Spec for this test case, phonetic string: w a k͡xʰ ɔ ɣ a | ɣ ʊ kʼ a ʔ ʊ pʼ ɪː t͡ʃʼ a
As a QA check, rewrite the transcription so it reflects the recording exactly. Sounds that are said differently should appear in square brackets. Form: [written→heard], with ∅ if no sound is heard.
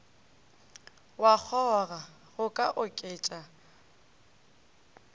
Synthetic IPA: w a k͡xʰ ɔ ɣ a | ɣ ʊ kʼ a ʔ ʊ [pʼ→kʼ] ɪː t͡ʃʼ a